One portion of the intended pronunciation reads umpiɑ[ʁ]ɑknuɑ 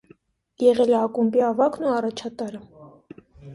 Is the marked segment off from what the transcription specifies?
yes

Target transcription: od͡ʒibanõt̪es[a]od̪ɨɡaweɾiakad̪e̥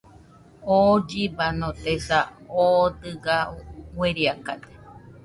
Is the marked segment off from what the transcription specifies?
no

